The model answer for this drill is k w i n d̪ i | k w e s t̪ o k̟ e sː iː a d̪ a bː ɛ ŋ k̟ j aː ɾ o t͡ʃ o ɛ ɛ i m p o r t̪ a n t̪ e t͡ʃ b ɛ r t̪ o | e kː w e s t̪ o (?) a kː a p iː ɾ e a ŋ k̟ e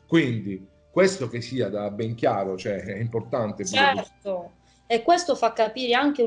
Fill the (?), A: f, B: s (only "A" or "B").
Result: A